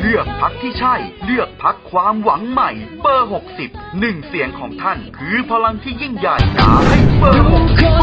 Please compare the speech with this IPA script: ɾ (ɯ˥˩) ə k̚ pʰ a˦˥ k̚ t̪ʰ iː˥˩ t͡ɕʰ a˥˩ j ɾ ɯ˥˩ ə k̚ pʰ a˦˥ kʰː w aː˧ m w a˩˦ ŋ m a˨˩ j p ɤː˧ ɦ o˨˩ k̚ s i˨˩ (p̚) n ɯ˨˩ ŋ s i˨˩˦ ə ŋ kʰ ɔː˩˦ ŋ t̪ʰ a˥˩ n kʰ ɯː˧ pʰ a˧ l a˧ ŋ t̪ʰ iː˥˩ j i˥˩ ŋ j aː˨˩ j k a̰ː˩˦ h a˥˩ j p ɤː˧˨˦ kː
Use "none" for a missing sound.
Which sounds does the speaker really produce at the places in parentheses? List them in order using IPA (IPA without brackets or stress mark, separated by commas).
ɯ˥˩, p̚